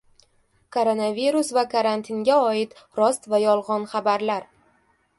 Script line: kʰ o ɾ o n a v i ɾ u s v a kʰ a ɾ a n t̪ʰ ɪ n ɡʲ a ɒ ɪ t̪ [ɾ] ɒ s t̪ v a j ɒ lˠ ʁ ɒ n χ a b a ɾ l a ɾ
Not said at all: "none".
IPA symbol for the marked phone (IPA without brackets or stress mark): ɾ